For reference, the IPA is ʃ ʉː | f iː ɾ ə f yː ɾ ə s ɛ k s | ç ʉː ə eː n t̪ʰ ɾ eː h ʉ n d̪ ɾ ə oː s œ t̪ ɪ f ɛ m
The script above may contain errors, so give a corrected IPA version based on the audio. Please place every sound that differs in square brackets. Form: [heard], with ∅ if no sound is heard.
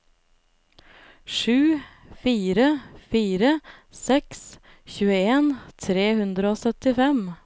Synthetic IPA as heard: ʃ ʉː | f iː ɾ ə f [iː] ɾ ə s ɛ k s | ç ʉː ə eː n t̪ʰ ɾ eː h ʉ n d̪ ɾ ə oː s œ t̪ ɪ f ɛ m